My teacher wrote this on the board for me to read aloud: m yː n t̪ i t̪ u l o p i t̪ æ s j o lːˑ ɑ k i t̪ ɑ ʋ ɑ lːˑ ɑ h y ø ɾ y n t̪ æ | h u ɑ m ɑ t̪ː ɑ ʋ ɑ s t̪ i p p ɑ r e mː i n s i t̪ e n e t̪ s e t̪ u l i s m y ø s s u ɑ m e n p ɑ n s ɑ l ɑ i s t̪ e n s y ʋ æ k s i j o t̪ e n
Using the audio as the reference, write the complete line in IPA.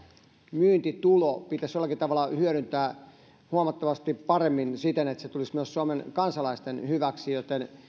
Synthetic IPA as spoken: m yː n t̪ i t̪ u l o p i t̪ æ s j o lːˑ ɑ k i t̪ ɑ ʋ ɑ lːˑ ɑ h y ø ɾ y n t̪ æː | h u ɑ m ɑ t̪ː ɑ ʋ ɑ s t̪ i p p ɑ r e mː i n s i t̪ e n e t̪ s e t̪ u l i s m y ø s s u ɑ m e n k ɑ n s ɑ l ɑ i s t̪ e n h y ʋ æ k s i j o t̪ e n

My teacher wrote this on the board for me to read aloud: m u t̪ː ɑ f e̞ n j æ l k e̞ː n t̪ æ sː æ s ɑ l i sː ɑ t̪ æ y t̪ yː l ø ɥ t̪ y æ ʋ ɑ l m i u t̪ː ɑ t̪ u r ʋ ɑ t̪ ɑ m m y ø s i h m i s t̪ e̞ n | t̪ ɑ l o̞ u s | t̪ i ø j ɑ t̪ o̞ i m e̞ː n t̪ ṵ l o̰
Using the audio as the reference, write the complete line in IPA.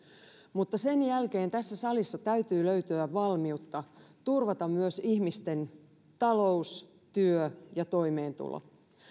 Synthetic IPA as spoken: m u t̪ː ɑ s e̞ n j æ l k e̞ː n t̪ æ sː æ s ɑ l i sː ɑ t̪ æ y t̪ yː l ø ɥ t̪ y æ ʋ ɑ l m i u t̪ː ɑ t̪ u r ʋ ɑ t̪ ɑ m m y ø s i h m i s t̪ e̞ n | t̪ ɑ l o̞ u s | t̪ y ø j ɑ t̪ o̞ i m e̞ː n t̪ ṵ l o̰

